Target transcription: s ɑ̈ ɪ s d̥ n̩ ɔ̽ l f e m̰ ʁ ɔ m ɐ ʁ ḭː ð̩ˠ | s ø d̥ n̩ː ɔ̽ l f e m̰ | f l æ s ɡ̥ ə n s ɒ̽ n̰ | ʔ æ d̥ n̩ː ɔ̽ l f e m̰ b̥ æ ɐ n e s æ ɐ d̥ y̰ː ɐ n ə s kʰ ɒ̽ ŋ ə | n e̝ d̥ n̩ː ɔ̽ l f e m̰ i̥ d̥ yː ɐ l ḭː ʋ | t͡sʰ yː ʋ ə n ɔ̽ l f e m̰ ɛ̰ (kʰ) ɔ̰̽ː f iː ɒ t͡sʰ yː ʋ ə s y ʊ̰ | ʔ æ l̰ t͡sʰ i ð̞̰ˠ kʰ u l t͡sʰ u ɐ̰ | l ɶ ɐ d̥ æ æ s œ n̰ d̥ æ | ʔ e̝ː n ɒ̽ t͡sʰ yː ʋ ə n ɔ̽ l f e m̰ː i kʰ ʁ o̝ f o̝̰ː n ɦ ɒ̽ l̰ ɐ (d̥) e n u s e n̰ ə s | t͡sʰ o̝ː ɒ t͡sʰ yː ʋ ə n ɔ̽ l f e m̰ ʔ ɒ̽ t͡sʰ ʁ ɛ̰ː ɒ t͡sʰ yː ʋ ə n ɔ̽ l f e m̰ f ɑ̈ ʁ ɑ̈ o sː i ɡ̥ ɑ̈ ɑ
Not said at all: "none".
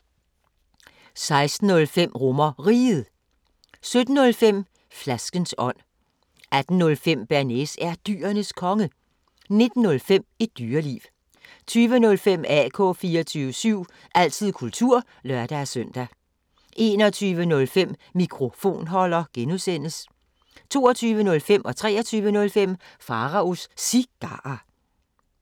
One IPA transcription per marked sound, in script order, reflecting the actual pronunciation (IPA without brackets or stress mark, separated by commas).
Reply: kʰ, ɡ̥